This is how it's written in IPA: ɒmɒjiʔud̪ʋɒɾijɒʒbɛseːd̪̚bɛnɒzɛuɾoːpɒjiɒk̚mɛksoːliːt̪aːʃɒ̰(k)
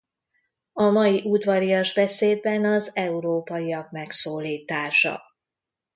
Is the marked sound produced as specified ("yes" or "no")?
no